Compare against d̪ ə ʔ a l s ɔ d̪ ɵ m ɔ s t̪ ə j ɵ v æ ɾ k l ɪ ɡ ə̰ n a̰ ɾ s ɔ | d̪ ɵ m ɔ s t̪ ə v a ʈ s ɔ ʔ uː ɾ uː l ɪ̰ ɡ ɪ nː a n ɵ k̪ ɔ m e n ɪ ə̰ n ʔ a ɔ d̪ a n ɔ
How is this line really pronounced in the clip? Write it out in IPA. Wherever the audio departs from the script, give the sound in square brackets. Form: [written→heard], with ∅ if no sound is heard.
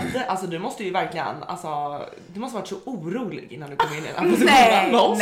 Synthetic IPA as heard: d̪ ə ʔ a l s ɔ d̪ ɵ m ɔ s t̪ ə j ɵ v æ ɾ k l ɪ ɡ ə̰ n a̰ [ɾ→l] s ɔ | d̪ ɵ m ɔ s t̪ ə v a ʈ s ɔ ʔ uː ɾ uː l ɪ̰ ɡ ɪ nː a n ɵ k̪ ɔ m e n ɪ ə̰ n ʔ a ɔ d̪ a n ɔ